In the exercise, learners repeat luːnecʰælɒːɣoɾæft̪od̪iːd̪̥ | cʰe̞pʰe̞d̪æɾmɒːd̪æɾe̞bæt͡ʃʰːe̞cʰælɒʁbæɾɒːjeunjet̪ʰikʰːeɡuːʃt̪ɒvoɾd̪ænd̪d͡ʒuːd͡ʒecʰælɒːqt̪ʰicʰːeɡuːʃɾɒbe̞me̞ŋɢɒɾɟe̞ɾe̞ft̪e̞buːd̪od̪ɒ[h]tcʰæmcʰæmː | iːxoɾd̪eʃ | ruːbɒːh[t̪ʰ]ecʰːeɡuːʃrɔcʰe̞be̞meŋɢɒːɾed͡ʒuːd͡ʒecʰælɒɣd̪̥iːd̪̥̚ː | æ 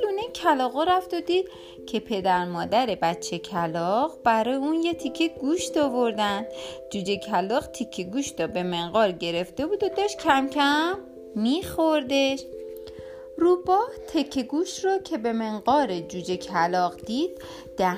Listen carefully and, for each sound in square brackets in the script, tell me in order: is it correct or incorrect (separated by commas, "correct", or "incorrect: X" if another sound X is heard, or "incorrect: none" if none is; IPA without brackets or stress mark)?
incorrect: ʃ, correct